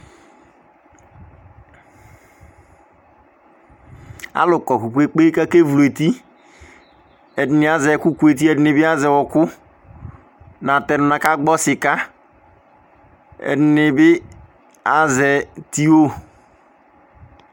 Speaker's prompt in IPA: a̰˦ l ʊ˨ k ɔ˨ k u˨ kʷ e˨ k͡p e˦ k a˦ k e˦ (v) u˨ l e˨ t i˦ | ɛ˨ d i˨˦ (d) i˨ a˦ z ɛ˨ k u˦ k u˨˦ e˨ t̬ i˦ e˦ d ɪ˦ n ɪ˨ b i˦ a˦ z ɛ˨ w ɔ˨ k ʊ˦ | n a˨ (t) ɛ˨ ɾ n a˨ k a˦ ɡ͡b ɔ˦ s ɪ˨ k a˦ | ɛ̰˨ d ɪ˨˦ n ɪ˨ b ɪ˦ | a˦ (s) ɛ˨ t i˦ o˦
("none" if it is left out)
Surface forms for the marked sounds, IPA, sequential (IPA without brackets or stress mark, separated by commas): v, n, t, z